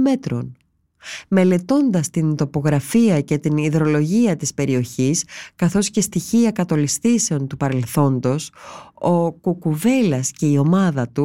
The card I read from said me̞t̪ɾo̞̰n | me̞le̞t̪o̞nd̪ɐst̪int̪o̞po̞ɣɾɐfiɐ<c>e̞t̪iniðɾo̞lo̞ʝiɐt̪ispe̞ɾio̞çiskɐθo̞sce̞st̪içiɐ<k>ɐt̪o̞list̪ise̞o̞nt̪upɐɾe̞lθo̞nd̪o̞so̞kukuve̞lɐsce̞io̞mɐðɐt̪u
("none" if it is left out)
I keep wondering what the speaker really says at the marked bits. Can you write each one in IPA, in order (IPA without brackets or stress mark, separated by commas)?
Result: c, k